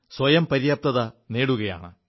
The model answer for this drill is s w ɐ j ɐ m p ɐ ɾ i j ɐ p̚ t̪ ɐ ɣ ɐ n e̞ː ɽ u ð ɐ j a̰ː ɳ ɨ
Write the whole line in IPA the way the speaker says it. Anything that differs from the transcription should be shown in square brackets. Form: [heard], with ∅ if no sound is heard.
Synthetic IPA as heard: s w ɐ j ɐ m p ɐ ɾ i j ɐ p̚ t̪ ɐ [ð] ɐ n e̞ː ɽ u [ɣ] ɐ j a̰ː ɳ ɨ

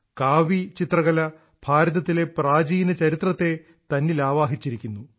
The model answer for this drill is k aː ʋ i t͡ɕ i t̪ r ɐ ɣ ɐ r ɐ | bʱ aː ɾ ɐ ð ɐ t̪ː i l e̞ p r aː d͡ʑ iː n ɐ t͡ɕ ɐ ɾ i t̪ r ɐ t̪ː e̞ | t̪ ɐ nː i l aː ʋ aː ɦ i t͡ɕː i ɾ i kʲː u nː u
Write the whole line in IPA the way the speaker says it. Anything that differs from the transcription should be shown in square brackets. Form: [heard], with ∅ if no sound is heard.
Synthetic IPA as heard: k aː ʋ i t͡ɕ i t̪ r ɐ ɣ ɐ [l] ɐ | bʱ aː ɾ ɐ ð ɐ t̪ː i l e̞ p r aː d͡ʑ iː n ɐ t͡ɕ ɐ ɾ i t̪ r ɐ t̪ː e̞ | t̪ ɐ nː i l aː ʋ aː ɦ i t͡ɕː i ɾ i kʲː u nː u

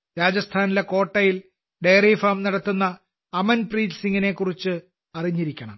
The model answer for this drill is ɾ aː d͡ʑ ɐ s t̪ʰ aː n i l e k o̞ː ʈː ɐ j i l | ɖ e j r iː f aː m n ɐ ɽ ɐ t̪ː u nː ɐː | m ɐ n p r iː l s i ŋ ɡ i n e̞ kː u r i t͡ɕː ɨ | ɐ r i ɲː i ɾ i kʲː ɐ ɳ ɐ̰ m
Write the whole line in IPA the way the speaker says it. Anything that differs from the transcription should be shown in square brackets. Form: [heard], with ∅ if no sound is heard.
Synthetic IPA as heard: ɾ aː d͡ʑ ɐ s t̪ʰ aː n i l e k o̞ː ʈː ɐ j i l | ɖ e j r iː f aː m n ɐ ɽ ɐ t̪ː u nː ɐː | m ɐ n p r iː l s i ŋ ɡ i n e̞ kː u r i t͡ɕː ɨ | ɐ r i ɲː i ɾ i kʲː ɐ ɳ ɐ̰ m

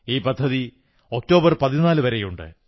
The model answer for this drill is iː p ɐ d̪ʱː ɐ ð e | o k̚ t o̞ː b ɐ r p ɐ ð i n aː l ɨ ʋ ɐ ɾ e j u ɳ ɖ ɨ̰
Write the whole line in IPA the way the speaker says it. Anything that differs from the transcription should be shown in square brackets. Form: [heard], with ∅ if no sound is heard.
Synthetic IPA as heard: iː p ɐ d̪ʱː ɐ ð [i] | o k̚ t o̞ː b ɐ r p ɐ ð i n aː l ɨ ʋ ɐ ɾ e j u ɳ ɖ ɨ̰

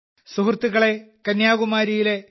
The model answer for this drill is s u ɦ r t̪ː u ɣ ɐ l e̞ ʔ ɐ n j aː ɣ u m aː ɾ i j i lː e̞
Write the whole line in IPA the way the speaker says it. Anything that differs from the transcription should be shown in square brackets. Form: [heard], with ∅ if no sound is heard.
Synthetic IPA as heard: s u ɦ r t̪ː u ɣ ɐ [ɭ] e̞ [k] ɐ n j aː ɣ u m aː ɾ i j i [l] e̞

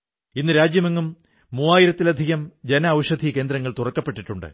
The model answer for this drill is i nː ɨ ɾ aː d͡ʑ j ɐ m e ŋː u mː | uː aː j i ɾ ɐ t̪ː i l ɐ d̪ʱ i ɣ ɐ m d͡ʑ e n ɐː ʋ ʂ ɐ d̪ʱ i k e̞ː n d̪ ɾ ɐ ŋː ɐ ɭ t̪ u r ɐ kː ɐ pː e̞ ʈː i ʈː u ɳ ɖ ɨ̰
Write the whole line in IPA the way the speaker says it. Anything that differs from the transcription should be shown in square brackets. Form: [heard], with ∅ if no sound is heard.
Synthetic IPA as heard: i nː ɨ ɾ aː d͡ʑ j ɐ m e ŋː u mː | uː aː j i ɾ ɐ t̪ː i l ɐ d̪ʱ i ɣ ɐ m d͡ʑ e n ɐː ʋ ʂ ɐ d̪ʱ i k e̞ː n d̪ ɾ ɐ ŋː ɐ ɭ t̪ u r ɐ kː ɐ pː e̞ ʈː i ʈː u ɳ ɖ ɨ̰

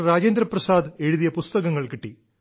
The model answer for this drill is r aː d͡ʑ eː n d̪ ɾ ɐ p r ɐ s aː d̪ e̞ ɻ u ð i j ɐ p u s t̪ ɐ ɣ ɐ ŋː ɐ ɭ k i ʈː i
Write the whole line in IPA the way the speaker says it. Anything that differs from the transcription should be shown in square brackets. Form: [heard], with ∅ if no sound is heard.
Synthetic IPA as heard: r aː d͡ʑ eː n d̪ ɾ ɐ p r ɐ s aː d̪ e̞ ɻ u ð i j ɐ p u s t̪ ɐ ɣ ɐ ŋː ɐ ɭ k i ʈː i

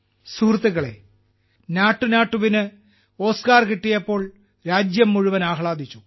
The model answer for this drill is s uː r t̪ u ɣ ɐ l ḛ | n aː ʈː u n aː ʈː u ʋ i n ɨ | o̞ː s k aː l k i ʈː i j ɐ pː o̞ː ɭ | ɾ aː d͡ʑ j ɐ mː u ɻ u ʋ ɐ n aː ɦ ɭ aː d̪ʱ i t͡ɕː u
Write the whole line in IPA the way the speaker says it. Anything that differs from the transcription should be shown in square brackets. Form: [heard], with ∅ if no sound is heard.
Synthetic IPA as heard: s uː r t̪ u ɣ ɐ [ɭ] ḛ | n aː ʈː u n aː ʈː u ʋ i n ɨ | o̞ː s k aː [r] k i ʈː i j ɐ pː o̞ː ɭ | ɾ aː d͡ʑ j ɐ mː u ɻ u ʋ ɐ n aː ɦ ɭ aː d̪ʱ i t͡ɕː u

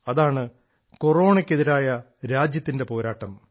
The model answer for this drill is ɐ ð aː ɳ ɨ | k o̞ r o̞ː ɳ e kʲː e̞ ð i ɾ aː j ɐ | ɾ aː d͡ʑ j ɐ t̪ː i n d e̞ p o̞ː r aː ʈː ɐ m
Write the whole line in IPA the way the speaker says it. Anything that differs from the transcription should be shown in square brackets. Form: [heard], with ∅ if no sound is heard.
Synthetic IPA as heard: ɐ ð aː ɳ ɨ | k o̞ r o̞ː ɳ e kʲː e̞ ð i ɾ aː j ɐ | ɾ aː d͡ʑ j ɐ t̪ː i n d e̞ p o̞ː [ɾ] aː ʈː ɐ m

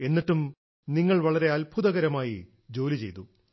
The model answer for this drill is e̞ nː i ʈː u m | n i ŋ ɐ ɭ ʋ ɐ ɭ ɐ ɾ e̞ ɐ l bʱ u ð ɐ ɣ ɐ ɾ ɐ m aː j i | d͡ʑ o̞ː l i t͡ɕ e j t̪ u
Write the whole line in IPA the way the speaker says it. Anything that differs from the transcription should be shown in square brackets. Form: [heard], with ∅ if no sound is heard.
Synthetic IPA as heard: e̞ nː i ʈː u m | n i [ŋː] ɐ ɭ ʋ ɐ ɭ ɐ ɾ e̞ ɐ l bʱ u ð ɐ ɣ ɐ ɾ ɐ m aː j i | d͡ʑ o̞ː l i t͡ɕ e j t̪ u

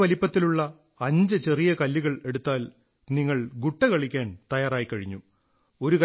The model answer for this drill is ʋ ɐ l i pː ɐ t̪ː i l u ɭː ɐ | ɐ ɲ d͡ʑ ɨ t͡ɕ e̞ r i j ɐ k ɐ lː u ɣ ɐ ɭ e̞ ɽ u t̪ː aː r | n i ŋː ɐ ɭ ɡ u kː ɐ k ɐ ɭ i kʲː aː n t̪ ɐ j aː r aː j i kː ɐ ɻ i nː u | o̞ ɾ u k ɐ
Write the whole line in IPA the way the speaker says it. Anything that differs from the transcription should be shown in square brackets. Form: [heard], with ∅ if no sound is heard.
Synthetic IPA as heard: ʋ ɐ l i pː ɐ t̪ː i l u ɭː ɐ | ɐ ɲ d͡ʑ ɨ t͡ɕ e̞ r i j ɐ k ɐ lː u ɣ ɐ ɭ e̞ ɽ u t̪ː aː [l] | n i ŋː ɐ ɭ ɡ u [ʈː] ɐ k ɐ ɭ i kʲː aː n t̪ ɐ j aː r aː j i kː ɐ ɻ i [ɲː] u | o̞ ɾ u k ɐ

